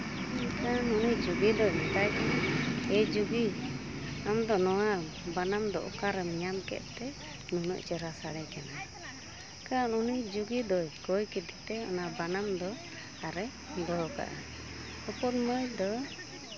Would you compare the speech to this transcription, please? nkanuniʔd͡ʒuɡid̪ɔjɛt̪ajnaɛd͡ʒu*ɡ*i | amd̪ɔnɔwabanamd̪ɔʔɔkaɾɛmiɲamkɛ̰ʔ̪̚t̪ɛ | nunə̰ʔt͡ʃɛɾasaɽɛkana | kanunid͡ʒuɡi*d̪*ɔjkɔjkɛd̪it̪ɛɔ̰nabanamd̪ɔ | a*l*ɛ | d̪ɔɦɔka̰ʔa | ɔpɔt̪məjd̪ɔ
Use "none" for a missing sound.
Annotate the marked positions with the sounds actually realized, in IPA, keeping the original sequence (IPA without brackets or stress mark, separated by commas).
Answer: ɡ, d̪, ɾ